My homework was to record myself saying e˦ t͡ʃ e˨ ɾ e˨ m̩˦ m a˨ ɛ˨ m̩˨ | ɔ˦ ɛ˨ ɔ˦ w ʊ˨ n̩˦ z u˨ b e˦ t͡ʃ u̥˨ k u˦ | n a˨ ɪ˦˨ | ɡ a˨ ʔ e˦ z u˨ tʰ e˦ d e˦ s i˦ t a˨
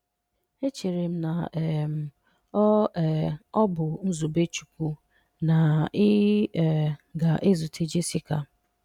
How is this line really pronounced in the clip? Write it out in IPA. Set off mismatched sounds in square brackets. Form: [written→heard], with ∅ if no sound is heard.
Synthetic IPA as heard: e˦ t͡ʃ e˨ ɾ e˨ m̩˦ [m→n] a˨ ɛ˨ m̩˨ | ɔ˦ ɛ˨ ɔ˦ [w→b] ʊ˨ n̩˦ z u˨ b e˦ t͡ʃ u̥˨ k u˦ | n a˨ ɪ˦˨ | ɡ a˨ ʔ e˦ z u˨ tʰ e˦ [d→d͡ʒ] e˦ s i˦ [t→k] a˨